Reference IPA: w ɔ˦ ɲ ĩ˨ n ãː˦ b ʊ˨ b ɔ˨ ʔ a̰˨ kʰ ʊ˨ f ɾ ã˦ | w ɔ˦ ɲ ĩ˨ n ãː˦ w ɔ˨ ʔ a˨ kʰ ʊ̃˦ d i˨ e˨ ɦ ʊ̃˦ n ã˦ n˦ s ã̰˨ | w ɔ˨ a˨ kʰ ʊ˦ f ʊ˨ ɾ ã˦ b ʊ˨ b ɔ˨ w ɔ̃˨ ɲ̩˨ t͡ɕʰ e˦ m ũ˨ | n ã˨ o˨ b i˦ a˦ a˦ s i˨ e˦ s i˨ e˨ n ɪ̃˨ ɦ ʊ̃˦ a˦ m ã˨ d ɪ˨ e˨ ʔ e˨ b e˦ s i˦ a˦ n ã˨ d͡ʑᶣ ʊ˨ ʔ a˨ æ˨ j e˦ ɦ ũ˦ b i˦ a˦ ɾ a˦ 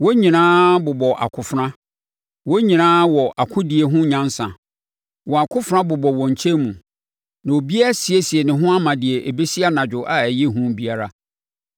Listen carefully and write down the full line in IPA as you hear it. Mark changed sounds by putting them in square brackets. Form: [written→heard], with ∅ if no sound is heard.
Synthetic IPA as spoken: w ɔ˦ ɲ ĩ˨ n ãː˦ b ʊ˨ b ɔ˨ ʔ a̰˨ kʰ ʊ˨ f ɾ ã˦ | w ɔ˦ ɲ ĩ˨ n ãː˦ w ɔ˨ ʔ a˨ kʰ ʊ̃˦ d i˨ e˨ ɦ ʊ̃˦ [n→ɲ] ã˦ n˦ s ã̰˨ | w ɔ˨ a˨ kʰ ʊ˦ f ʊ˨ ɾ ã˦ b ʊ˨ b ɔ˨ w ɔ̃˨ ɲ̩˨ t͡ɕʰ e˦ m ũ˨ | n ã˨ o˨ b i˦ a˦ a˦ s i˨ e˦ s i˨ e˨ n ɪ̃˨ ɦ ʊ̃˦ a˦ m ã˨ d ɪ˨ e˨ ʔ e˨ b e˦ s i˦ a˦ n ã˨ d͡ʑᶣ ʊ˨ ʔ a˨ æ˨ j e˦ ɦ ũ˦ b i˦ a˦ ɾ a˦

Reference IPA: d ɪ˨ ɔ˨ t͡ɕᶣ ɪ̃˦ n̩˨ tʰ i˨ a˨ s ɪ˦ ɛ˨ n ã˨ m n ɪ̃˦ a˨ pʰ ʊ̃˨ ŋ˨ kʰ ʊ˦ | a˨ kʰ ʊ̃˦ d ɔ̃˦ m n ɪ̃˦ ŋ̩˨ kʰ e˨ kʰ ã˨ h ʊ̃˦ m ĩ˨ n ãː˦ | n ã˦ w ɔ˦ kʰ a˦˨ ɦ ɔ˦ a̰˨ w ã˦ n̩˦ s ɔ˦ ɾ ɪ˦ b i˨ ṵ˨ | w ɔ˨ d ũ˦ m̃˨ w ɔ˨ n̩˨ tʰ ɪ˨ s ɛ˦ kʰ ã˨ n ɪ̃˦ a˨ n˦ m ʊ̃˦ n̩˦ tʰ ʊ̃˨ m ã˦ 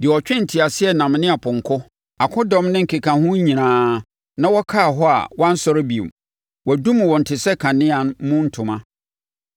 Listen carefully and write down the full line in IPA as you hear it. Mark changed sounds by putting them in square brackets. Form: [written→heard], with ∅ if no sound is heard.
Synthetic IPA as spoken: d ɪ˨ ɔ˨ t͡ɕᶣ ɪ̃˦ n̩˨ tʰ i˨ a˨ s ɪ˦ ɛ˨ n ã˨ m n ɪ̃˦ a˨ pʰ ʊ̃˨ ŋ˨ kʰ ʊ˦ | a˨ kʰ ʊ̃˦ d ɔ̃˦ m n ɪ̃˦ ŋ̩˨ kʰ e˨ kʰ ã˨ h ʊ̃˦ [m→ɲ] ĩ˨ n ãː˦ | n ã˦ w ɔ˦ kʰ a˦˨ ɦ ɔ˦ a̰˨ w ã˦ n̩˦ s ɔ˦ ɾ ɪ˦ b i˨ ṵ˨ | w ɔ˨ d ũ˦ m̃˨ w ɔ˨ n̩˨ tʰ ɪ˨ s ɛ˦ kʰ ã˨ n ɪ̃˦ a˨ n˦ m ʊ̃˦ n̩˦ tʰ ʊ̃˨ m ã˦

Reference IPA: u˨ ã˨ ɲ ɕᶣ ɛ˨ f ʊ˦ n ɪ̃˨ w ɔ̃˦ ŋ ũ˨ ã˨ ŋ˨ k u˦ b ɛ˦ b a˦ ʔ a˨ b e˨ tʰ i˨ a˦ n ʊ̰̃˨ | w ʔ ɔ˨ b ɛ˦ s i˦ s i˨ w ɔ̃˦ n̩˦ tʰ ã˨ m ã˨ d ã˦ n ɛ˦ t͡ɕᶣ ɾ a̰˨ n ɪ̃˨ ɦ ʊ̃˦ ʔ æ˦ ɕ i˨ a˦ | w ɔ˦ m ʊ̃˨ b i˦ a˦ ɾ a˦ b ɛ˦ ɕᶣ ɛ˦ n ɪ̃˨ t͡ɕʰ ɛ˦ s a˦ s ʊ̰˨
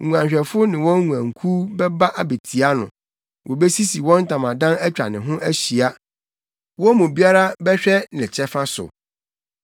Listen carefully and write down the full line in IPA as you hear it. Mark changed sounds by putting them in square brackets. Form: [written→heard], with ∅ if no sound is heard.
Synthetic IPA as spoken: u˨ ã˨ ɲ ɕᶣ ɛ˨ f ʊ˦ n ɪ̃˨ w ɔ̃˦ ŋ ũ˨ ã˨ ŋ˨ [k→kʰ] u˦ b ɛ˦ b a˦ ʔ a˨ b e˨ tʰ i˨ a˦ n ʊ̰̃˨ | w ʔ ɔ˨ b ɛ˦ s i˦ s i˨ w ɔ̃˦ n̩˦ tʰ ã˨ m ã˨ d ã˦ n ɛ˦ t͡ɕᶣ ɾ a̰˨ n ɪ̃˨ ɦ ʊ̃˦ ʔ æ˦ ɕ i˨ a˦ | w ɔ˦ m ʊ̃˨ b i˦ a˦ ɾ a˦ b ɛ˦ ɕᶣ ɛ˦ n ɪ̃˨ t͡ɕʰ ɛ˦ [s→f] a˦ s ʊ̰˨

